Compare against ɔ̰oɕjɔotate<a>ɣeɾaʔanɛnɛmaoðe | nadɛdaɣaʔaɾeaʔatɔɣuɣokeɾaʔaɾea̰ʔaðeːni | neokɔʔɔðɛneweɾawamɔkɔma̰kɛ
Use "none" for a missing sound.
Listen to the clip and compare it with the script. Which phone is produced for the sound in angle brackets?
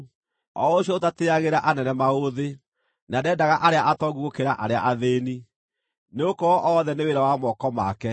a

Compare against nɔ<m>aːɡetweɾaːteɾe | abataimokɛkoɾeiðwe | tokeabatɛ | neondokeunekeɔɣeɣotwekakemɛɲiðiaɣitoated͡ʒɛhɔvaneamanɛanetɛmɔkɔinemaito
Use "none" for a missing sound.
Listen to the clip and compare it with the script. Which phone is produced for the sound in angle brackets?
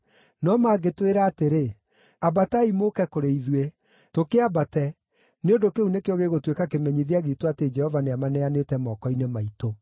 m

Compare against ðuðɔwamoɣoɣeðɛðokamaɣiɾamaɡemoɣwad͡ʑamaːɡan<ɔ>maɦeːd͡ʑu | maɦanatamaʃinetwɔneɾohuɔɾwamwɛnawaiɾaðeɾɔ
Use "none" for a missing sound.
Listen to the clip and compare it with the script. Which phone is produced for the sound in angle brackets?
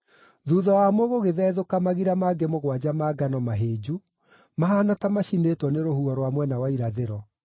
ɔ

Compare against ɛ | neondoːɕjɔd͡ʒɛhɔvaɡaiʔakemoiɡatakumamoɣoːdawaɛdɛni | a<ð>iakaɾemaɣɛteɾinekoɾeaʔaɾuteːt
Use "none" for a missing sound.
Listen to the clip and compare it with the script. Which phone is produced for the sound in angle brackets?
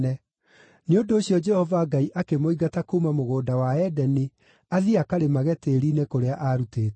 ð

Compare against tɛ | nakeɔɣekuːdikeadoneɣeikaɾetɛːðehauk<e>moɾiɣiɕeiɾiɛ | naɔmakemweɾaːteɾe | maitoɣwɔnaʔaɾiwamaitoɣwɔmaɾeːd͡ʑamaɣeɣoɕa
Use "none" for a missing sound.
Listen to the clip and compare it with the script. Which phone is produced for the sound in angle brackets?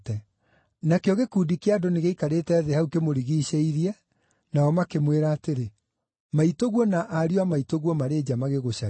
e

